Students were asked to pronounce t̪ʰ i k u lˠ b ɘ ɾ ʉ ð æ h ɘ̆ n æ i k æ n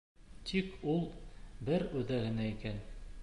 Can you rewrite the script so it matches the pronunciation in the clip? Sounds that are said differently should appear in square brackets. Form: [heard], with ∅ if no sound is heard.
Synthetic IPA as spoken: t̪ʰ i k u lˠ b ɘ ɾ ʉ ð æ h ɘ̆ n æ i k æ n

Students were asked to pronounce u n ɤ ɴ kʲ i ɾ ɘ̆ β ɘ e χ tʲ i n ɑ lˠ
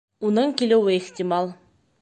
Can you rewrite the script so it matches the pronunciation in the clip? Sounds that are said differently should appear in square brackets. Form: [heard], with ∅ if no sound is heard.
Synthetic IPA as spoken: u n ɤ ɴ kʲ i [l] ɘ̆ [w] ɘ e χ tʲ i [m] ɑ lˠ

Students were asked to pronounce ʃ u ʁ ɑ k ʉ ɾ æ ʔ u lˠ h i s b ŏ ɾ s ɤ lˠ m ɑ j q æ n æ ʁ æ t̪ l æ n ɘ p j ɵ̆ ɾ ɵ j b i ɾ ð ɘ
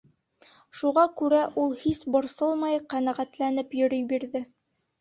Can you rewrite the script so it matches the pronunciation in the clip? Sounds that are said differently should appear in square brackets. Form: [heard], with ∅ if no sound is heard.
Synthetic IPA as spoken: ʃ u ʁ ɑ k ʉ ɾ æ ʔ u lˠ h i s b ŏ ɾ s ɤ lˠ m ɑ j q æ n æ ʁ æ t̪ l æ n ɘ p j ɵ̆ ɾ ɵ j b i ɾ ð ɘ

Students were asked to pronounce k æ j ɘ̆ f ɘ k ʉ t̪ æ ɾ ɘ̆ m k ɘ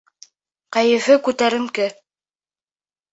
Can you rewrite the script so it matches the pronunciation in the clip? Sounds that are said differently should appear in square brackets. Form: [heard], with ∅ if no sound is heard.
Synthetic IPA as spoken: [q] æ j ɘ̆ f ɘ k ʉ t̪ æ ɾ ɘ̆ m k ɘ

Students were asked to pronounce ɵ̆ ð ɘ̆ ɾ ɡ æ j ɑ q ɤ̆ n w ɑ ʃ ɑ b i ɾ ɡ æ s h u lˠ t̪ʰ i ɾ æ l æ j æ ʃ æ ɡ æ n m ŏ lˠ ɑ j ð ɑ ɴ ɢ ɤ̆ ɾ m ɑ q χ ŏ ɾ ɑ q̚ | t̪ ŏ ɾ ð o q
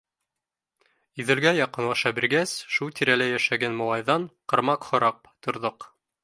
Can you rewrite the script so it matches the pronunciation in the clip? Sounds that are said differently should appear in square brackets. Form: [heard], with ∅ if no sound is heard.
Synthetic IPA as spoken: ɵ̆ ð ɘ̆ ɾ ɡ æ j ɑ q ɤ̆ n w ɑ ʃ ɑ b i ɾ ɡ æ s [ʃ] u lˠ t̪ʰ i ɾ æ l æ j æ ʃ æ ɡ æ n m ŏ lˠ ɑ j ð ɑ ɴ [q] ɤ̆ ɾ m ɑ q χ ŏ ɾ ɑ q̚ | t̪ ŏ ɾ ð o q

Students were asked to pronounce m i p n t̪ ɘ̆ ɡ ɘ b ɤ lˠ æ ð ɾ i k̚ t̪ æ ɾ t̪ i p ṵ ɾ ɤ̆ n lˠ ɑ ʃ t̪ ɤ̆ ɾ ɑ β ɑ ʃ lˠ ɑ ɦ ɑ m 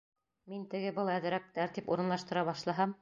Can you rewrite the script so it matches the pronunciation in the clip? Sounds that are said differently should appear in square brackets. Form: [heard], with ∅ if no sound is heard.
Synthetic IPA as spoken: m i [∅] n t̪ ɘ̆ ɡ ɘ b ɤ lˠ æ ð ɾ [æ] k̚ t̪ æ ɾ t̪ i p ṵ ɾ ɤ̆ n lˠ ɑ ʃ t̪ ɤ̆ ɾ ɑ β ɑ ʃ lˠ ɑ ɦ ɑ m

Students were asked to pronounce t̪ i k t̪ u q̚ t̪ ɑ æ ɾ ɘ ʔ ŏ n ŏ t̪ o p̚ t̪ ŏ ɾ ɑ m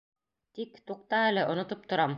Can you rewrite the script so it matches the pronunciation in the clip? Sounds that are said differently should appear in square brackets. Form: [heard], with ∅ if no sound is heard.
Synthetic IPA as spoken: t̪ i k t̪ u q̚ t̪ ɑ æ [l] ɘ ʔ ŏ n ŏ t̪ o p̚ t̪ ŏ ɾ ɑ m

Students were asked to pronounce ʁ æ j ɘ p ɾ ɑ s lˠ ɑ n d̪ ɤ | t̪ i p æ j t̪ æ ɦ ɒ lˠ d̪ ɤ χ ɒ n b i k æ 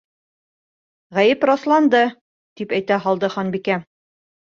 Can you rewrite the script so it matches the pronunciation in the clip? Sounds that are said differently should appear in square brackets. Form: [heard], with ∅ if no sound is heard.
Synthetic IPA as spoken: ʁ æ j ɘ p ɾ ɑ s lˠ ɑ n d̪ ɤ | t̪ i p æ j t̪ æ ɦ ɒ lˠ d̪ ɤ χ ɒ n b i k æ

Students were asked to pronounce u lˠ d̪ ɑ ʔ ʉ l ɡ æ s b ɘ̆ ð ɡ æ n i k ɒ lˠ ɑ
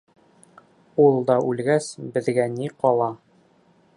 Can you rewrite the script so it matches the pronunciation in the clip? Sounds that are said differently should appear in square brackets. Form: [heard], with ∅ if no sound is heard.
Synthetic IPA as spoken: u lˠ d̪ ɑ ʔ ʉ l ɡ æ s b ɘ̆ ð ɡ æ n i [q] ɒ lˠ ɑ

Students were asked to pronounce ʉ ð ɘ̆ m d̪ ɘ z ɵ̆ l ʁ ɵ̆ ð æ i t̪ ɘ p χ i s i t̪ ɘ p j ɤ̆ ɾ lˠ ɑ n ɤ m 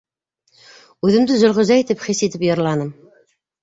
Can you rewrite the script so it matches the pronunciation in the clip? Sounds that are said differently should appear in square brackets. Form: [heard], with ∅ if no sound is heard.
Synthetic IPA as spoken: ʉ ð ɘ̆ m d̪ ɘ z ɵ̆ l ʁ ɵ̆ [z] æ i t̪ ɘ p χ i s i t̪ ɘ p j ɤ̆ ɾ lˠ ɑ n ɤ m

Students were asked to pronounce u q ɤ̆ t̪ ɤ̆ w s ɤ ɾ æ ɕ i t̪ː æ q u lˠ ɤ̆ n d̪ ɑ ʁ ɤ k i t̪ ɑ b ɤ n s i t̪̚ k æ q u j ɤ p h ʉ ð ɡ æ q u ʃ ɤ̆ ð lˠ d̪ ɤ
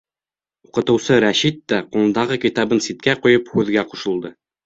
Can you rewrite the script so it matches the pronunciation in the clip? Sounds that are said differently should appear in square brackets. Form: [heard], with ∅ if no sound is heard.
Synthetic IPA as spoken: u q ɤ̆ t̪ ɤ̆ w s ɤ ɾ æ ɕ i t̪ː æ q u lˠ ɤ̆ n d̪ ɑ ʁ ɤ k i t̪ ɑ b ɤ n s i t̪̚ k æ q u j ɤ p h ʉ ð ɡ æ q u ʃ ɤ̆ [∅] lˠ d̪ ɤ

